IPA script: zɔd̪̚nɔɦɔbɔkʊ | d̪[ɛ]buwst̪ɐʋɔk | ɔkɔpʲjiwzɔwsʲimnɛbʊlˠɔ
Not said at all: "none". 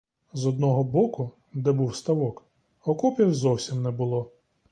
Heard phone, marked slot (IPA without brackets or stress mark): ɛ